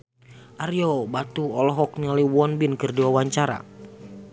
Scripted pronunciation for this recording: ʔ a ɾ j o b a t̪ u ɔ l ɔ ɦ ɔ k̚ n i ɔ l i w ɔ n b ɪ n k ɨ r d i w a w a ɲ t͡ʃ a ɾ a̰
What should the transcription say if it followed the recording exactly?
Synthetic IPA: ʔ a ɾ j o b a t̪ u ɔ l ɔ ɦ ɔ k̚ n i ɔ l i w ɔ n b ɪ n k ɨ r d i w a w a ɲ t͡ʃ a ɾ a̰